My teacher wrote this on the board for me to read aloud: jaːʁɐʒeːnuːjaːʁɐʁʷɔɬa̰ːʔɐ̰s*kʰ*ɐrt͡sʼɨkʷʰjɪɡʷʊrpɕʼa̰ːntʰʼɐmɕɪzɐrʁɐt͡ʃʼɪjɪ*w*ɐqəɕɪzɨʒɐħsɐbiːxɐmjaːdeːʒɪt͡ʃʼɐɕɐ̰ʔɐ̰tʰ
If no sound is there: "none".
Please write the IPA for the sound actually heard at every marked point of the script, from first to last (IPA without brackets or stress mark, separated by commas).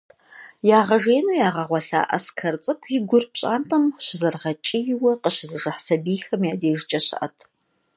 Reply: kʰ, w